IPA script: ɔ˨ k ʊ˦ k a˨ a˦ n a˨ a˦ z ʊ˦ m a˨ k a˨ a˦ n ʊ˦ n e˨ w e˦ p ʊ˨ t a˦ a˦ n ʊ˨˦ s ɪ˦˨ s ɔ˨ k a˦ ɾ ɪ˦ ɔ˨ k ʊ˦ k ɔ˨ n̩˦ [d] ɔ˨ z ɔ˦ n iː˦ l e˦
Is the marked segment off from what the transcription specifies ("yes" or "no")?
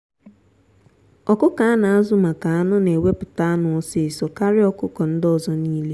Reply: no